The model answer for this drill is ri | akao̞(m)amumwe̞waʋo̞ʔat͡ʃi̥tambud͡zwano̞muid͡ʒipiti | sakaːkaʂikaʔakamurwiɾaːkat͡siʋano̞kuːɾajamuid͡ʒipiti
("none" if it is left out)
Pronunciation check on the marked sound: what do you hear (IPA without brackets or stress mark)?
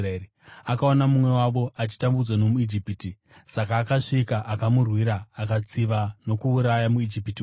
n